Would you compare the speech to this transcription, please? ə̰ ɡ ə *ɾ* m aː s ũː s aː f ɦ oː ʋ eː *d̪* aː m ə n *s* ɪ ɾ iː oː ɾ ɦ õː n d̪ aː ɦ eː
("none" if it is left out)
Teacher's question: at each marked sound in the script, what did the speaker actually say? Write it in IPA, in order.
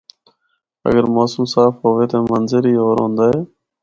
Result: ɾ, t̪, z

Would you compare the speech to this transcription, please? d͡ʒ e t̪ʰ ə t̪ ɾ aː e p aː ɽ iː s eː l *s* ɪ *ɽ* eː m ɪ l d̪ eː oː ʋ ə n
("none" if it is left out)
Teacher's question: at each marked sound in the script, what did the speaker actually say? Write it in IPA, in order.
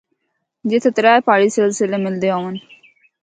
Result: s, l

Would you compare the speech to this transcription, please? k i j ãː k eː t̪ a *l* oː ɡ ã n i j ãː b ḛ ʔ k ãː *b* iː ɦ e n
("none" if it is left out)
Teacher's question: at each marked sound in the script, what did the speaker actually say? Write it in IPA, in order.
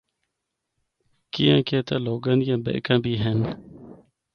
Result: l, b

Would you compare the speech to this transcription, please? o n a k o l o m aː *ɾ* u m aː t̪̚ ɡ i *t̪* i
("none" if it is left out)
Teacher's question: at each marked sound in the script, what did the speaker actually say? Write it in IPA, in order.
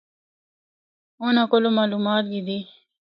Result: l, d̪

